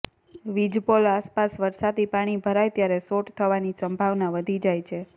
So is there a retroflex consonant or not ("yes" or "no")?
yes